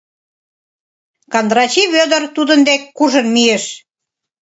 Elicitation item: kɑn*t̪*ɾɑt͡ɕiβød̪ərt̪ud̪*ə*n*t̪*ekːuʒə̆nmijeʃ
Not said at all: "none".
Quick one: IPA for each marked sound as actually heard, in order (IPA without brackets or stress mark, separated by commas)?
d̪, ə, d̪